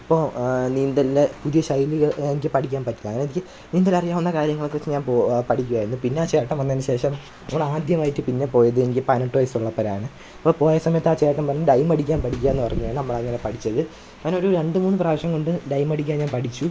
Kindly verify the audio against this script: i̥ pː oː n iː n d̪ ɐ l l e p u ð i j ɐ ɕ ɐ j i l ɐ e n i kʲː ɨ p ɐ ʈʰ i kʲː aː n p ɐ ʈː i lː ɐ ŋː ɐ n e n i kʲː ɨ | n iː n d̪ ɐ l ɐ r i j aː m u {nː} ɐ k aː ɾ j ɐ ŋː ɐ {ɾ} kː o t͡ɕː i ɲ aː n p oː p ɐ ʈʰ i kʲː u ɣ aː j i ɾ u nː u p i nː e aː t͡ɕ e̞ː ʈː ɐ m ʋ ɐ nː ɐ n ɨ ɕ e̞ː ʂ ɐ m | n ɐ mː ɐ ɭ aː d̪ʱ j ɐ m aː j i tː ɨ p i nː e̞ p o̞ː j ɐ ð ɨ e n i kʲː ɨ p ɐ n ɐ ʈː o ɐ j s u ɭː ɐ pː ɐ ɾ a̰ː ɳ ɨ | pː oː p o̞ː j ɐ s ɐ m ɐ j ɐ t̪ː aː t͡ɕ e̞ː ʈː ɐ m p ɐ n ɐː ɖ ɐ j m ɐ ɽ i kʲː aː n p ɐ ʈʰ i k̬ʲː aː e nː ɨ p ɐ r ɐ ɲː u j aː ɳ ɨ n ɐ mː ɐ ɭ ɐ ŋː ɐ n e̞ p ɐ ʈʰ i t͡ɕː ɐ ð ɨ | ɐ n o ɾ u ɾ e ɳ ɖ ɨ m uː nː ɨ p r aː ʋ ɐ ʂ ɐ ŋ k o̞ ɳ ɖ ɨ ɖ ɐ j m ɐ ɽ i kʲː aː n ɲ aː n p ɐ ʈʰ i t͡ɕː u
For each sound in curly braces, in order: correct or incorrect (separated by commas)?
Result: correct, incorrect